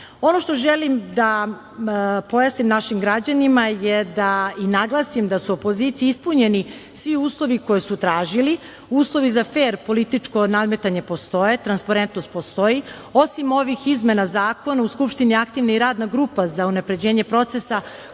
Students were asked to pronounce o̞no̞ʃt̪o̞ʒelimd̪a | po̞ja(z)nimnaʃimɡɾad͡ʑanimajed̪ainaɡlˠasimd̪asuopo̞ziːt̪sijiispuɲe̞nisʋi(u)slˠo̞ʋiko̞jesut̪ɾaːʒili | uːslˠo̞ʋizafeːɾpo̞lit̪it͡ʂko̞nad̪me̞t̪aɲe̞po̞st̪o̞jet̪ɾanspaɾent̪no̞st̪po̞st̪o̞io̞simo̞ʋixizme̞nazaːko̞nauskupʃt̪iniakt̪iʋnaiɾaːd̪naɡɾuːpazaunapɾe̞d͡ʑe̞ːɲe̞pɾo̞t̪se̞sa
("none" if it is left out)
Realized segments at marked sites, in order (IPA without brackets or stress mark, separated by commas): s, uː